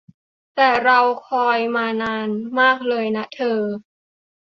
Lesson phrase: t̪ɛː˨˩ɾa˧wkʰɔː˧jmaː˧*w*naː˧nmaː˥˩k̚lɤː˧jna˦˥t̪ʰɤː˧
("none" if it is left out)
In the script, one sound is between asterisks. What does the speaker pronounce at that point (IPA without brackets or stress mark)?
none